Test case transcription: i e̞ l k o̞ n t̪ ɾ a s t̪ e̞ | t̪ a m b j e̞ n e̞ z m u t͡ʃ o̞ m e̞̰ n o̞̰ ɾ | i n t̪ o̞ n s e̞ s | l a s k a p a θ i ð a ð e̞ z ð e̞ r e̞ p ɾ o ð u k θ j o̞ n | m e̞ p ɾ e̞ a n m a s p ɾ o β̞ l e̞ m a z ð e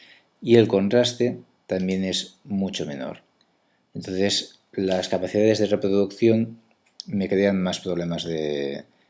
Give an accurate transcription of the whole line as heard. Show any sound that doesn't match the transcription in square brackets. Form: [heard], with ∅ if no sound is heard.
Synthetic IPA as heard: i e̞ l k o̞ n t̪ ɾ a s t̪ e̞ | t̪ a m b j e̞ n e̞ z m u t͡ʃ o̞ m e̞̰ n o̞̰ ɾ | [e] n t̪ o̞ n [θ] e̞ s | l a s k a p a θ i ð a ð e̞ z ð e̞ r e̞ p ɾ o ð u k θ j o̞ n | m e̞ [k] ɾ e̞ a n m a s p ɾ o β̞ l e̞ m a z ð e

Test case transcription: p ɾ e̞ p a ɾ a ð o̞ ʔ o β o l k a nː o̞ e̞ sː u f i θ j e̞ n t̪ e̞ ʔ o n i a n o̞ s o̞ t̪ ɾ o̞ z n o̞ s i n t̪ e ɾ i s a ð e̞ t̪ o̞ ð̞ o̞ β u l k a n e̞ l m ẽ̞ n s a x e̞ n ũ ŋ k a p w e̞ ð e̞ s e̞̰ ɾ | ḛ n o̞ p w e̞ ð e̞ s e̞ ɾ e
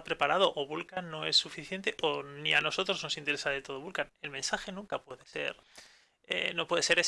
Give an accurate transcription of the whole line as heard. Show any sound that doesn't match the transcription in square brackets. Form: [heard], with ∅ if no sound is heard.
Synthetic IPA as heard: p ɾ e̞ p a ɾ a ð o̞ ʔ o β [u] l k a nː o̞ e̞ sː u f i θ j e̞ n t̪ e̞ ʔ o n i a n o̞ s o̞ t̪ ɾ o̞ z n o̞ s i n t̪ e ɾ [e] s a ð e̞ t̪ o̞ ð̞ o̞ β u l k a n e̞ l m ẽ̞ n s a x e̞ n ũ ŋ k a p w e̞ ð e̞ s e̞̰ ɾ | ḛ n o̞ p w e̞ ð e̞ s e̞ ɾ e

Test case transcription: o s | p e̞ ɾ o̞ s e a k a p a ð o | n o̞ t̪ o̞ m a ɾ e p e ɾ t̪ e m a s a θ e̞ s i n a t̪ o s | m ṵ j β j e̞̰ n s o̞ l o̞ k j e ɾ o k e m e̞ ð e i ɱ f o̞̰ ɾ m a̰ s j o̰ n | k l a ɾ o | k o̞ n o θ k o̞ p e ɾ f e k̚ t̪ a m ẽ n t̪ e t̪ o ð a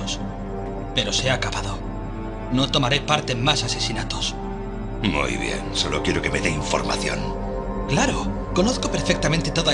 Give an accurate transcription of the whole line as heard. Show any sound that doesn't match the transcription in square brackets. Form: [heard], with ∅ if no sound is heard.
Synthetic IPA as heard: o s | p e̞ ɾ o̞ s e a k a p a ð o | n o̞ t̪ o̞ m a ɾ e p [a] ɾ t̪ e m a s a [s] e̞ s i n a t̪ o s | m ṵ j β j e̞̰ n s o̞ l o̞ k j e ɾ o k e m e̞ ð e i ɱ f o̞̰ ɾ m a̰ [θ] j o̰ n | k l a ɾ o | k o̞ n o θ k o̞ p e ɾ f e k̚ t̪ a m ẽ n t̪ e t̪ o ð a

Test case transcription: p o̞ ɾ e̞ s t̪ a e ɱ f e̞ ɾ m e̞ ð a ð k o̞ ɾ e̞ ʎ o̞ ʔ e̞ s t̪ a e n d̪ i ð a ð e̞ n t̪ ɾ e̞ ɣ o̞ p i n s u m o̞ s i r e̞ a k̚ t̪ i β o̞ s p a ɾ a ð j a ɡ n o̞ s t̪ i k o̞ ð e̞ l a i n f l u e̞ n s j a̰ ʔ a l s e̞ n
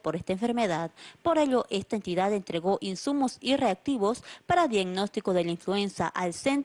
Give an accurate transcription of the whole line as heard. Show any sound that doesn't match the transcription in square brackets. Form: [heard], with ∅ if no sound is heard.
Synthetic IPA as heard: p o̞ ɾ e̞ s t̪ a e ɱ f e̞ ɾ m e̞ ð a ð [p] o̞ ɾ e̞ ʎ o̞ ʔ e̞ s t̪ a e n [t̪] i ð a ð e̞ n t̪ ɾ e̞ ɣ o̞ [ʔ] i n s u m o̞ s i r e̞ a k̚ t̪ i β o̞ s p a ɾ a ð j a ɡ n o̞ s t̪ i k o̞ ð e̞ l a i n f l u e̞ n s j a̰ ʔ a l s e̞ n

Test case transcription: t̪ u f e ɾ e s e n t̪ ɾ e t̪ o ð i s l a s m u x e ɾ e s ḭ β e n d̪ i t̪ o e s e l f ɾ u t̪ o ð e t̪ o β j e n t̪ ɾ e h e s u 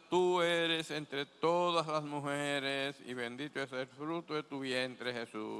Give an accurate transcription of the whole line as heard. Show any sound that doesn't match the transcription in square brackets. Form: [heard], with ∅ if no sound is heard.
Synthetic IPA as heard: t̪ u [∅] e ɾ e s e n t̪ ɾ e t̪ o ð [a] s l a s m u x e ɾ e s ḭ β e n d̪ i t̪ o e s e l f ɾ u t̪ o ð e t̪ [u] β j e n t̪ ɾ e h e s u

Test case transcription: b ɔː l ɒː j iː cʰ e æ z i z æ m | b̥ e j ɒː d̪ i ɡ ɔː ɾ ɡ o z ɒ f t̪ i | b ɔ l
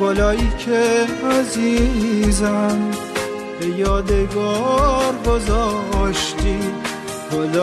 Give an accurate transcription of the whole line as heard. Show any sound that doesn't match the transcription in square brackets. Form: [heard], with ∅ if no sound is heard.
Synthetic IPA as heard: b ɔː l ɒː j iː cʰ e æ z i z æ m | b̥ e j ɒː d̪ [e] ɡ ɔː ɾ ɡ o z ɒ [ʃ] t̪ i | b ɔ l

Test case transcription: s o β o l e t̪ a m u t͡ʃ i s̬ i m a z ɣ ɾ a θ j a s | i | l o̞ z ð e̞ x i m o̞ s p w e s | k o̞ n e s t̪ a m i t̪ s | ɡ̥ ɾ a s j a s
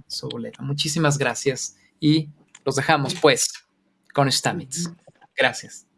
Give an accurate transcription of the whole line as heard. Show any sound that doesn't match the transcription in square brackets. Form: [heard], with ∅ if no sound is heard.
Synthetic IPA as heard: s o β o l e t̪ a m u t͡ʃ i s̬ i m a z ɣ ɾ a [s] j a s | i | l o̞ z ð e̞ x [a] m o̞ s p w e s | k o̞ n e s t̪ a m i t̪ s | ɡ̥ ɾ a s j a s

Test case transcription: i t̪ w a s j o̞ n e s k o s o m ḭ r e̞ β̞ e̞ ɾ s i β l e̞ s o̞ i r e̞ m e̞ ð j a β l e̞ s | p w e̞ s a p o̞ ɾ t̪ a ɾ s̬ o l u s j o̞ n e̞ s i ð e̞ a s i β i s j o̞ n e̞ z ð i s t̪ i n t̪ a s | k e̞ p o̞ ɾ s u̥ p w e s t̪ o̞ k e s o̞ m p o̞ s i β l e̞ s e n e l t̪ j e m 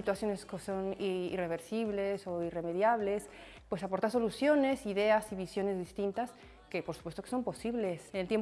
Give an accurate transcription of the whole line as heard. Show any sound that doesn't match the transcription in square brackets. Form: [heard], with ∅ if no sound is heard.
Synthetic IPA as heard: i t̪ w a s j o̞ n e s k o s o [n] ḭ r e̞ β̞ e̞ ɾ s i β l e̞ s o̞ i r e̞ m e̞ ð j a β l e̞ s | p w e̞ s a p o̞ ɾ t̪ a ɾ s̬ o l u s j o̞ n e̞ s i ð e̞ a s i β i s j o̞ n e̞ z ð i s t̪ i n t̪ a s | k e̞ p o̞ ɾ s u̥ p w e s t̪ o̞ k e s o̞ m p o̞ s i β l e̞ s e n e l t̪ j e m

